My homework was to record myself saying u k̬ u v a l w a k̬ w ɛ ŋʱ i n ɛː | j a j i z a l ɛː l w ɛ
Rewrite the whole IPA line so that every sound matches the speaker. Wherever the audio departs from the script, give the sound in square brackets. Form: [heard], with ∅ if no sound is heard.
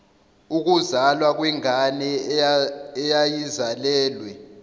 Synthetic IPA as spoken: u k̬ u [z] a l w a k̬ w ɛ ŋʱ [a] n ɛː | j a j i z a l ɛː l w ɛ